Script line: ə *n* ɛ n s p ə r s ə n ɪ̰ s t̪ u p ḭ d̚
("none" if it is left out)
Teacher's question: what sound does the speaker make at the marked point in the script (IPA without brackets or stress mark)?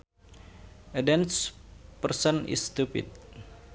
d